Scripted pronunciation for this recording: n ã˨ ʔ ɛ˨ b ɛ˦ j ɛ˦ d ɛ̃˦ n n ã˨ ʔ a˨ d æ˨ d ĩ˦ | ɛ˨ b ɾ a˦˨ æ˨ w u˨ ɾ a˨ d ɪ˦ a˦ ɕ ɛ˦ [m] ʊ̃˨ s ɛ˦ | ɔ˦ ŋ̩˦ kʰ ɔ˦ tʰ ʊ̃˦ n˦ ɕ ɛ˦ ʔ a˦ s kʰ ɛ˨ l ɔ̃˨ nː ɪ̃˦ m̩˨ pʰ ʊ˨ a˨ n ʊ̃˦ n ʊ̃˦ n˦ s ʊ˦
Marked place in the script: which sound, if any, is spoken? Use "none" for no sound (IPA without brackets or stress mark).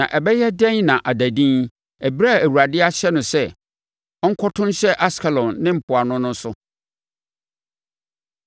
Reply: n